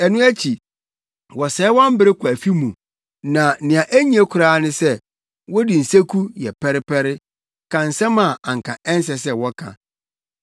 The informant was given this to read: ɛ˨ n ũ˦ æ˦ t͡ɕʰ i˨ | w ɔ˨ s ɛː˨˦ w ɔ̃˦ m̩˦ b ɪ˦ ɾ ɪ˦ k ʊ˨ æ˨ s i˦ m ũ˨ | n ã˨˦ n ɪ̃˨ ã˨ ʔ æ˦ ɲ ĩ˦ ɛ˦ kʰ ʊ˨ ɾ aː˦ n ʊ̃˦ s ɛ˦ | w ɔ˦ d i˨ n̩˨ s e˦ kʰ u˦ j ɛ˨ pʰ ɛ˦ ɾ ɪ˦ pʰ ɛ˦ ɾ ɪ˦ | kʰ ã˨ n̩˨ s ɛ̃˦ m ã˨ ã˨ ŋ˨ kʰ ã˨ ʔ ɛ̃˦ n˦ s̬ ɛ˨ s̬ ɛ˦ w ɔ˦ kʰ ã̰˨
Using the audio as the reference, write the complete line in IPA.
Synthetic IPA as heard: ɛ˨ n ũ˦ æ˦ t͡ɕʰ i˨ | w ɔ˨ s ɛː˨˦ w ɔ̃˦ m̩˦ b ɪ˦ ɾ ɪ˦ k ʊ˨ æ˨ f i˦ m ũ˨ | n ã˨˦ n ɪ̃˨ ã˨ ʔ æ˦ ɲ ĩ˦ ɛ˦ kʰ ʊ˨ ɾ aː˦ n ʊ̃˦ s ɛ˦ | w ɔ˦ d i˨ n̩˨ s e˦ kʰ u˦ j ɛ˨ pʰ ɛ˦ ɾ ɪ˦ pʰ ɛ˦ ɾ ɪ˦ | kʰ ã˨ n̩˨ s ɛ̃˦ m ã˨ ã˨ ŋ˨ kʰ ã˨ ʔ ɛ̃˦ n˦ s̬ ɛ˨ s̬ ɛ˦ w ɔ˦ kʰ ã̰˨